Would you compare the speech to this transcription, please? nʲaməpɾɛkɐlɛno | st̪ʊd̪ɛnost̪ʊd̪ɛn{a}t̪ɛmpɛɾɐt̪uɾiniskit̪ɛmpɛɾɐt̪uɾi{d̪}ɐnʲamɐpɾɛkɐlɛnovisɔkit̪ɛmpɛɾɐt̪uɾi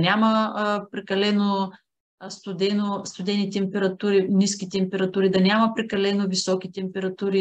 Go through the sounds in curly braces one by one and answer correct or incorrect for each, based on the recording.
incorrect: i, correct

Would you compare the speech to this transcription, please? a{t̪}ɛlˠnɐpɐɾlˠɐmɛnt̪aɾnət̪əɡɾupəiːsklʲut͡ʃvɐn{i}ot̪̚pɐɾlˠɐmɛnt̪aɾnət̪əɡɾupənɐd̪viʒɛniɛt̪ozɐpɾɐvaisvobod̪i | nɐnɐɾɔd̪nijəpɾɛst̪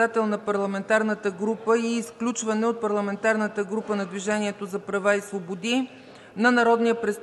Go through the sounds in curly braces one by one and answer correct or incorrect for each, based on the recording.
correct, incorrect: ɛ

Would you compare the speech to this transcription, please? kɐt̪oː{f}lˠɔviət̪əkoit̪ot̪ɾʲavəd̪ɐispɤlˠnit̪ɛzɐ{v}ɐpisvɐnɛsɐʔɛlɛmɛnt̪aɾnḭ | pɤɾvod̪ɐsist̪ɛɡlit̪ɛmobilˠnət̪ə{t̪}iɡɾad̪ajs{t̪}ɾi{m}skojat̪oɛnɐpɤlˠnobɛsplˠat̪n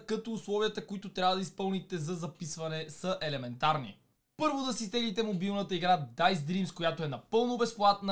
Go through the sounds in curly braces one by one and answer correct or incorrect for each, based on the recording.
incorrect: s, incorrect: z, incorrect: none, incorrect: d̪, correct

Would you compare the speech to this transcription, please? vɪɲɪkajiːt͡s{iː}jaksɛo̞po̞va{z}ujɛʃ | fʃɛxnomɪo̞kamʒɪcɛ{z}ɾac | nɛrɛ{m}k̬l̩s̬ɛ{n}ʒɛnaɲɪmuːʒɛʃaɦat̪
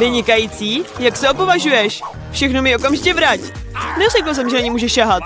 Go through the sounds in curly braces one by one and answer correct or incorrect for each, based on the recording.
correct, incorrect: ʒ, incorrect: v, incorrect: none, incorrect: m

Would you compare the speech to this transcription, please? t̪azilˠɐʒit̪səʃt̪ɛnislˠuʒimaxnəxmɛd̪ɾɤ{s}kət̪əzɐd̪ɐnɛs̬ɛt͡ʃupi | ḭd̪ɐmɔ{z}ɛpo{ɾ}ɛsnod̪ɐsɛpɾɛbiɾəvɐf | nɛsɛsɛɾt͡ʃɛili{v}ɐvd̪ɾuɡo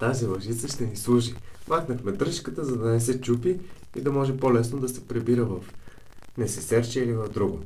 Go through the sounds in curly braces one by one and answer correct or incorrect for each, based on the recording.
incorrect: ʃ, incorrect: ʒ, incorrect: l, correct

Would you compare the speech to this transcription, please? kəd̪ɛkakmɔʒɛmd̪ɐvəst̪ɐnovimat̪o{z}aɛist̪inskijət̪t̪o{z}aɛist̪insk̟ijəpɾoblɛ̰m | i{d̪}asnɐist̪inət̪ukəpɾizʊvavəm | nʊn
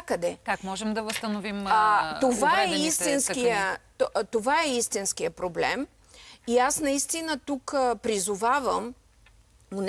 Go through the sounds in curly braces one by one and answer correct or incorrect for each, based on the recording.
incorrect: v, incorrect: v, incorrect: none

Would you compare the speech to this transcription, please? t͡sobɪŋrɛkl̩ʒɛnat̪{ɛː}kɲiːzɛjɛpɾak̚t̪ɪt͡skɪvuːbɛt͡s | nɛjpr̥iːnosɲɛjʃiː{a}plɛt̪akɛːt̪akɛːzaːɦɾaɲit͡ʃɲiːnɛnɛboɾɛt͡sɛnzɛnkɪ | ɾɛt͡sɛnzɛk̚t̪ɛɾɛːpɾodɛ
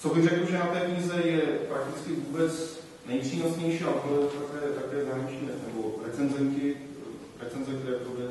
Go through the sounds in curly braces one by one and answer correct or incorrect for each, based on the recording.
correct, correct

